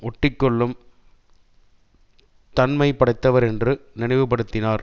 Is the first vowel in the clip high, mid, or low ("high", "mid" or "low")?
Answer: mid